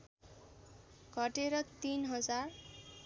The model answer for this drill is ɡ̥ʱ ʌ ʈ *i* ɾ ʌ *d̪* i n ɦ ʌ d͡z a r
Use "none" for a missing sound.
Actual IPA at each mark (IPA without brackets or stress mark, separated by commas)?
e, t̪